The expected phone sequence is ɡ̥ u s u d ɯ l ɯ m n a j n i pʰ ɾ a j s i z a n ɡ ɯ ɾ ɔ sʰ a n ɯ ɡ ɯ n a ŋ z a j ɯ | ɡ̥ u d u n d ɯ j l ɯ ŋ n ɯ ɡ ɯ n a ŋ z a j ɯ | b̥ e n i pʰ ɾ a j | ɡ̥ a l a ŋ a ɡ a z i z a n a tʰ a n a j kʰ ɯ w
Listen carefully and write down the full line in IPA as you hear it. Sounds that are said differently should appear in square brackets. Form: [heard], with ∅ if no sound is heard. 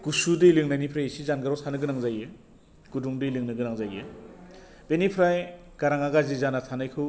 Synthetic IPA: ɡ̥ u s u d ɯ l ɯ [ŋ] n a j n i pʰ ɾ a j s i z a n ɡ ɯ ɾ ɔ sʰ a n ɯ ɡ ɯ n a ŋ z a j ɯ | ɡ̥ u d u [ŋ] d ɯ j l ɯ ŋ n ɯ ɡ ɯ n a ŋ z a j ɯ | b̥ e n i pʰ ɾ a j | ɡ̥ a [ɾ] a ŋ a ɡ a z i z a n a tʰ a n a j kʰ ɯ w